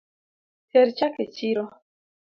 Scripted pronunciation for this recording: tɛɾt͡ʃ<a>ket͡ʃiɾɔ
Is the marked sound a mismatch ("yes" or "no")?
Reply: no